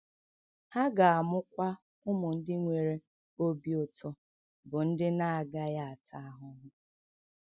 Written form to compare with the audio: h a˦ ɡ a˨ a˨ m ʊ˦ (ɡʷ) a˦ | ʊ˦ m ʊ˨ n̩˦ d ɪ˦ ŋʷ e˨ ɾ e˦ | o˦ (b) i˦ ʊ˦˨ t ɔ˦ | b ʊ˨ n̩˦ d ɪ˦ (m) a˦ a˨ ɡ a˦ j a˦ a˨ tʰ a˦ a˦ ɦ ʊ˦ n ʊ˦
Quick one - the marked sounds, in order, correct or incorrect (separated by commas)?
incorrect, correct, incorrect